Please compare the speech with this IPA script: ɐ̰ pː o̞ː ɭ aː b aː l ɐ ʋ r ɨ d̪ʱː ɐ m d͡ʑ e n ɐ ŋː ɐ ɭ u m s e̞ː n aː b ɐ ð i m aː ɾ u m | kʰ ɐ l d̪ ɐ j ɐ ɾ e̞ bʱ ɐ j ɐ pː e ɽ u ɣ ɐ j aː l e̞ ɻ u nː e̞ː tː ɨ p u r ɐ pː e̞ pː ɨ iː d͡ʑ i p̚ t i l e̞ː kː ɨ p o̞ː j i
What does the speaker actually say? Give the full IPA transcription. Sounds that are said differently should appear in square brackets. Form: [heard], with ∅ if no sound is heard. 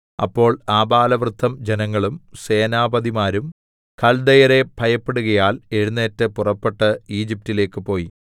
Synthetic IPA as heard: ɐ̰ pː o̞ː ɭ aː b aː l ɐ ʋ r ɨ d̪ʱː ɐ m d͡ʑ e n ɐ ŋː ɐ ɭ u m s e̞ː n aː b ɐ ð i m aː ɾ u m | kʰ ɐ l d̪ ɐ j ɐ ɾ e̞ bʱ ɐ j ɐ pː e ɽ u ɣ ɐ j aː l e̞ ɻ u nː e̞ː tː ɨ p u r ɐ pː e̞ [ʈː] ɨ iː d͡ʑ i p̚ t i l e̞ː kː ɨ p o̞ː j i